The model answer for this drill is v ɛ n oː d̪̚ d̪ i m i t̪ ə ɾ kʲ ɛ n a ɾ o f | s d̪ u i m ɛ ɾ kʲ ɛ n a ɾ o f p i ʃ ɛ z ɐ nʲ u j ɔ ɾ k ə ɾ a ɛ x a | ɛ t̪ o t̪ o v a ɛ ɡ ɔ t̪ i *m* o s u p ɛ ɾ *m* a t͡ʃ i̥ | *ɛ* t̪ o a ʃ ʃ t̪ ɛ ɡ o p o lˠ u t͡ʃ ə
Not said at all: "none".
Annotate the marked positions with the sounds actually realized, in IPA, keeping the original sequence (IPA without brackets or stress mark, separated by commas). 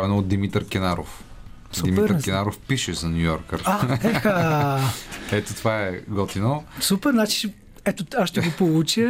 n, n, ɛ